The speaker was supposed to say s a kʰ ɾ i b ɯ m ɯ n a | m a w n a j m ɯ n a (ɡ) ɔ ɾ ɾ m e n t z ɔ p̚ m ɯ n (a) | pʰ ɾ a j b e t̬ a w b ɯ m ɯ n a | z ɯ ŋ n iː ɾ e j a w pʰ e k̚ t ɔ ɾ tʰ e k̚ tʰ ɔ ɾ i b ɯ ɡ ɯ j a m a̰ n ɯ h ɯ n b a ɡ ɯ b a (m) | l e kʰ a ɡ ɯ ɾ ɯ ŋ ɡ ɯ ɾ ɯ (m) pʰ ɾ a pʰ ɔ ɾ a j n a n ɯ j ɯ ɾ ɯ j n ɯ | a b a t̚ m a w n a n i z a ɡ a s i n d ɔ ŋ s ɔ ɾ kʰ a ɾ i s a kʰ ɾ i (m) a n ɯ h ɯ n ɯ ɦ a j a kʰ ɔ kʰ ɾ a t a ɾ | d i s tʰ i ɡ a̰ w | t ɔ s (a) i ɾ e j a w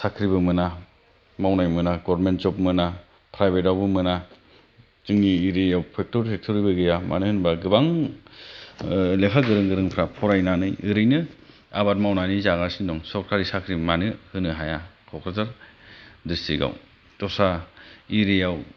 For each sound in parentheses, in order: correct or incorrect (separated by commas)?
correct, correct, incorrect, incorrect, correct, correct